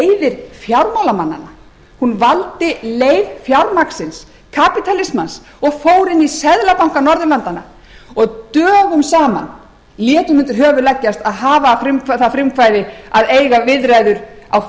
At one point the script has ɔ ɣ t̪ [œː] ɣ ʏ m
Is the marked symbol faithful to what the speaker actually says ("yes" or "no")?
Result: yes